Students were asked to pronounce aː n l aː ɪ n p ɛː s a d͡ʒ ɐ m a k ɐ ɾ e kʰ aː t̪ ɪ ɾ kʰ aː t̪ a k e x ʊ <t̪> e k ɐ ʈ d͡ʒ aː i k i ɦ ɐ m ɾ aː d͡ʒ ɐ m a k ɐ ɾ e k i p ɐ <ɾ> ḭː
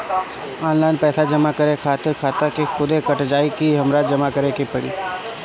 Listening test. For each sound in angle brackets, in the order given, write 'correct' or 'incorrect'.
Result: incorrect: d̪, incorrect: ɽ

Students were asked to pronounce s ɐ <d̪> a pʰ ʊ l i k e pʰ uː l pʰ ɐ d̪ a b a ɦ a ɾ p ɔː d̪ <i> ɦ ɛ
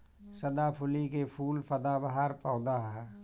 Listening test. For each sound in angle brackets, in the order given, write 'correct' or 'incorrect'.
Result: correct, incorrect: a

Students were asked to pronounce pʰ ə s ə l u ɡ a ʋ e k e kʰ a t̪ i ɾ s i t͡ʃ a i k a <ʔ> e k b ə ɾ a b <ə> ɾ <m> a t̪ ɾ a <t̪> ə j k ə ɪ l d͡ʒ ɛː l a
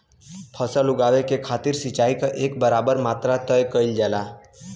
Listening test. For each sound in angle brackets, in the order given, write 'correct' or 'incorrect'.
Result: correct, correct, correct, correct

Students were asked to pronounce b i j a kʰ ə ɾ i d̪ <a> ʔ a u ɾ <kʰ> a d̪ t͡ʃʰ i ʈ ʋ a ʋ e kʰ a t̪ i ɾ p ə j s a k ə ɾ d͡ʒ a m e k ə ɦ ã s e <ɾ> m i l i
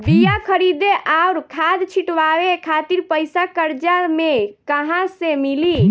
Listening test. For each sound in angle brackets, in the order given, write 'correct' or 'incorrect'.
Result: incorrect: e, correct, incorrect: none

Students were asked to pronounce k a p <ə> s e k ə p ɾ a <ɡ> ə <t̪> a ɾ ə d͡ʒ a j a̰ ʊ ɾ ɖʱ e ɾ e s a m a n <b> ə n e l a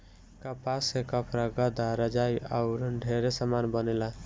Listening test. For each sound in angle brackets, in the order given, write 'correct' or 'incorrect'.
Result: incorrect: a, correct, incorrect: d̪, correct

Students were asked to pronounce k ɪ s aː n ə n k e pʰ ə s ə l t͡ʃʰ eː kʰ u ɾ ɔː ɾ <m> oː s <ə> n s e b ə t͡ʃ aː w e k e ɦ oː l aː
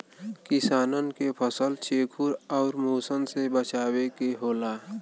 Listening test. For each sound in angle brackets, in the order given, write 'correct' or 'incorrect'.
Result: correct, correct

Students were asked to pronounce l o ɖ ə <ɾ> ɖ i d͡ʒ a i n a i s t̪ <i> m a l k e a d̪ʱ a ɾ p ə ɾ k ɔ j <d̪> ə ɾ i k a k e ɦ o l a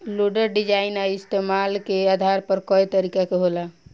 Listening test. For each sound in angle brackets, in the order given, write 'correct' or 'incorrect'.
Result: correct, incorrect: e, incorrect: t̪

